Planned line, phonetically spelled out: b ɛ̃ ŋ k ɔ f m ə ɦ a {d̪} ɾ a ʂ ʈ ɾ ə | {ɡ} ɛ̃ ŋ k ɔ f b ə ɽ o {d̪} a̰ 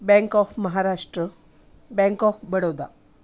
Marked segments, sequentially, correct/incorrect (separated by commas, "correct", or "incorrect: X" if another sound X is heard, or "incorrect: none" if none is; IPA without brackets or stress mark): incorrect: none, incorrect: b, correct